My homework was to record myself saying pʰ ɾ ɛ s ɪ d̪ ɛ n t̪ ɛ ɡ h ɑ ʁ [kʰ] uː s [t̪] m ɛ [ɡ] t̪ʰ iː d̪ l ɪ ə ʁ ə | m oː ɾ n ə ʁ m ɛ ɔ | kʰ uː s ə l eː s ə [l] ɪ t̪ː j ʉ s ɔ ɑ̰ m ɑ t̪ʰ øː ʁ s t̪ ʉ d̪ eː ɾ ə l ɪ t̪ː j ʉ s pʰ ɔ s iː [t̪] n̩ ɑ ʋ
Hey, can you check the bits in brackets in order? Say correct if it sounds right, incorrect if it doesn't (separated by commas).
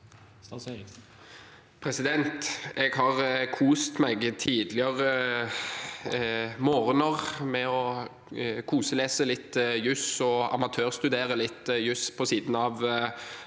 correct, correct, correct, correct, incorrect